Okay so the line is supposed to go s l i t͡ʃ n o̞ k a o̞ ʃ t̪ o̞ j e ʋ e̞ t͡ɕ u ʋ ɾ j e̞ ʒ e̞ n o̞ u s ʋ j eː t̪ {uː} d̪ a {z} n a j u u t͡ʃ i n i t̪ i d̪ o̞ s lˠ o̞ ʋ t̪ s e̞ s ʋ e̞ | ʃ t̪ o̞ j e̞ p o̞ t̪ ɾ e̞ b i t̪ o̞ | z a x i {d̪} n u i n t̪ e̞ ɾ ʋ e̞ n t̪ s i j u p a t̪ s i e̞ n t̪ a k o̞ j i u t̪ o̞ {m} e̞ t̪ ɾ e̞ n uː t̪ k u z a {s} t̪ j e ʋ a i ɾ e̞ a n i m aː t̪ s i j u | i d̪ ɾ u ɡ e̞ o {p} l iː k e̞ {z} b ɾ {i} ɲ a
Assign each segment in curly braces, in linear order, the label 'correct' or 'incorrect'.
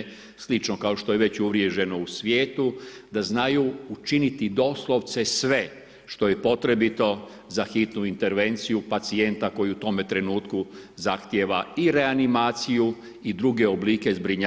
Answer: incorrect: u, correct, incorrect: t̪, correct, incorrect: x, incorrect: b, correct, correct

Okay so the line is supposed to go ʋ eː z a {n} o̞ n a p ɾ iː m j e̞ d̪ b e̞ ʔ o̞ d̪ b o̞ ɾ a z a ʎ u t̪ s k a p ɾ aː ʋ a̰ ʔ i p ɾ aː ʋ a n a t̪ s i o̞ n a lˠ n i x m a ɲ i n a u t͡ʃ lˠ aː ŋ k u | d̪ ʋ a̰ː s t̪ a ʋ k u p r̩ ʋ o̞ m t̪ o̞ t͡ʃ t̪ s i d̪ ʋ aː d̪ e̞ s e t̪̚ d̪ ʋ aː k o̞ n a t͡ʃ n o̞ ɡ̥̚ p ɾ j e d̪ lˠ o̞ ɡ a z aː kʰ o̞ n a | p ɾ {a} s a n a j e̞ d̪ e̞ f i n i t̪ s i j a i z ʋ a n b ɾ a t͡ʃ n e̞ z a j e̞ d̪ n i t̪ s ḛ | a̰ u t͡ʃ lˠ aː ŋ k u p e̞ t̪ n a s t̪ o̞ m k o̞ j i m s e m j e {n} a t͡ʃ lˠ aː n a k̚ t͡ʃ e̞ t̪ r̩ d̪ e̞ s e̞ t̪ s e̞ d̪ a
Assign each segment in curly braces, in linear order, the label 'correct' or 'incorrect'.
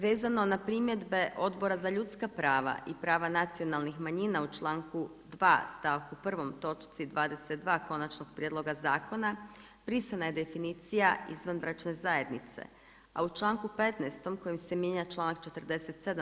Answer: correct, incorrect: i, incorrect: ɲ

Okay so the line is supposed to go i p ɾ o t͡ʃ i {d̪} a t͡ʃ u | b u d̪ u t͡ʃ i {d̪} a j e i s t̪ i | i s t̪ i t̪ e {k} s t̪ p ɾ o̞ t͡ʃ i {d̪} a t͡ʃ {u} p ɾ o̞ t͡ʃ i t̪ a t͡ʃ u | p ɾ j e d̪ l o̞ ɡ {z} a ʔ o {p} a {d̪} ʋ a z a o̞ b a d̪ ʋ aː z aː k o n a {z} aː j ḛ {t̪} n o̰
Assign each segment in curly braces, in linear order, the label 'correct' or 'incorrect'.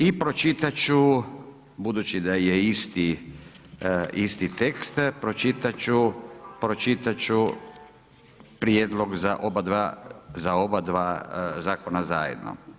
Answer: incorrect: t̪, correct, correct, incorrect: t̪, correct, correct, incorrect: b, correct, correct, incorrect: d̪

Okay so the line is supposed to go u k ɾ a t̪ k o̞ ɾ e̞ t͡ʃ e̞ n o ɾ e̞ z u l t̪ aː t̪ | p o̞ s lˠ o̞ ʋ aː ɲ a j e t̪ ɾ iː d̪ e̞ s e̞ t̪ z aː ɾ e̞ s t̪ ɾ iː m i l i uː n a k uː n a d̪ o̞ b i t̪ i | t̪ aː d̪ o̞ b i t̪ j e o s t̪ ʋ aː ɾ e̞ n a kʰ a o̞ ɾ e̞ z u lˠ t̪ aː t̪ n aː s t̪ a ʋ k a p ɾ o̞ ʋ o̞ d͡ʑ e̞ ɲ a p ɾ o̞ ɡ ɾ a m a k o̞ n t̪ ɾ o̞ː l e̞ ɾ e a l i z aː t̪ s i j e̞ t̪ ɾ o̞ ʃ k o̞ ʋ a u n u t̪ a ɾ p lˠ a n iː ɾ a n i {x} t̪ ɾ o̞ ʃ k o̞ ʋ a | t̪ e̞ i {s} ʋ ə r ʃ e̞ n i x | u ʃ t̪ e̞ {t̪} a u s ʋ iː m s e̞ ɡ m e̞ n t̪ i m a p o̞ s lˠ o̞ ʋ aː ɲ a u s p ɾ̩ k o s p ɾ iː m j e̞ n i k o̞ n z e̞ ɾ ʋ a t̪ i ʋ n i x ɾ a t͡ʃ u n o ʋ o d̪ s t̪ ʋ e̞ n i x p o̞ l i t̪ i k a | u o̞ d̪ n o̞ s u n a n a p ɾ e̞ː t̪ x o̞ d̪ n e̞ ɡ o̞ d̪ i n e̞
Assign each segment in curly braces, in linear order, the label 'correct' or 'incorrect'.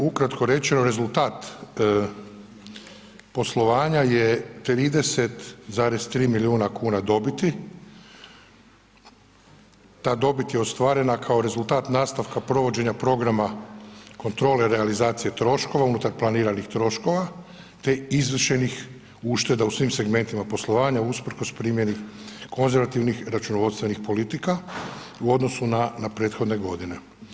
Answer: correct, incorrect: z, incorrect: d̪

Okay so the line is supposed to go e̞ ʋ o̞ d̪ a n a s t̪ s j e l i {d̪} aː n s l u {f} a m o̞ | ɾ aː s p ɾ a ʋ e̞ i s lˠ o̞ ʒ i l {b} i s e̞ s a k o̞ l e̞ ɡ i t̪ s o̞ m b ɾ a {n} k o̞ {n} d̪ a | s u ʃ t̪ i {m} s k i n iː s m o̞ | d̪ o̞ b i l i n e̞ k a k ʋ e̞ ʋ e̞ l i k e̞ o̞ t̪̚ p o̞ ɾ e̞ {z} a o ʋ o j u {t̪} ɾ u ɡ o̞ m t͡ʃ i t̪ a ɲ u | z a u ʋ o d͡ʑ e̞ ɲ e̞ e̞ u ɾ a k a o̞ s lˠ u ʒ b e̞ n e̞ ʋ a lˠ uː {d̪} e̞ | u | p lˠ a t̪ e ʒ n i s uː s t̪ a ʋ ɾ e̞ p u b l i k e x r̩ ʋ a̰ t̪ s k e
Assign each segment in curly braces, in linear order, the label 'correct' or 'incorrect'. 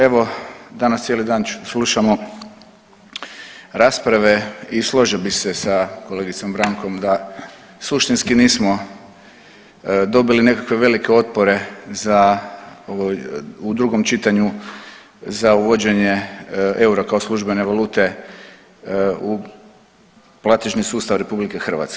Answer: correct, incorrect: ʃ, correct, incorrect: ŋ, incorrect: m, incorrect: n, correct, incorrect: d̪, incorrect: t̪

